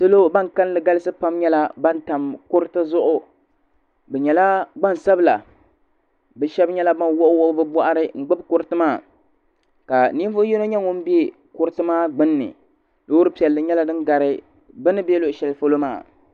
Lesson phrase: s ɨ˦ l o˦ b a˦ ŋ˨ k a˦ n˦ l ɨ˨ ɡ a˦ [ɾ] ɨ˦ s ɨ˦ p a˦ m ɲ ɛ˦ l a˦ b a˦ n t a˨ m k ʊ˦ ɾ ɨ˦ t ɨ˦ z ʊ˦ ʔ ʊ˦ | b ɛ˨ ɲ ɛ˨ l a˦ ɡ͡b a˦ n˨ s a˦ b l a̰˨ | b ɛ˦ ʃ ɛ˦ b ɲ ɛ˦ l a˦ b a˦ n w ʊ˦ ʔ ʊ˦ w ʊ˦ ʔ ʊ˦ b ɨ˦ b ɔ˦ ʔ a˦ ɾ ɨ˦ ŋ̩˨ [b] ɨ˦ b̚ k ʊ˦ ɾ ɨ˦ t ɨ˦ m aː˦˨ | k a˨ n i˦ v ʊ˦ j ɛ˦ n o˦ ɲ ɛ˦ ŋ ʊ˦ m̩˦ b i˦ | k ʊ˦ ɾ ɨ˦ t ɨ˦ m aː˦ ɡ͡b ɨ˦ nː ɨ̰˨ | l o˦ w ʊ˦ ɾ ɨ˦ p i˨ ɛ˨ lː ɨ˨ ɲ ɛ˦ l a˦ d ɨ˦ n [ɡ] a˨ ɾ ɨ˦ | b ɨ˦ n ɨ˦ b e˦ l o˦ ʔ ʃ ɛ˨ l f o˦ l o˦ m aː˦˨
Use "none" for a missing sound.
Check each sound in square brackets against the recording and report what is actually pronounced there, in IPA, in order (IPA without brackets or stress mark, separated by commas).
l, ɡ͡b, ɡ